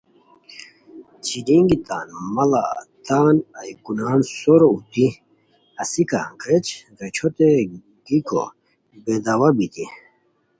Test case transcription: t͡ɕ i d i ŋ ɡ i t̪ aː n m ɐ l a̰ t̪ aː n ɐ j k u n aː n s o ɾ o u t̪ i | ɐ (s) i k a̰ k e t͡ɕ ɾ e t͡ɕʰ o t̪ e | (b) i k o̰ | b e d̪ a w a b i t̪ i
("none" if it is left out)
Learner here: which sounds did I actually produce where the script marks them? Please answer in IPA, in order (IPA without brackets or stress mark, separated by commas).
s, ɡ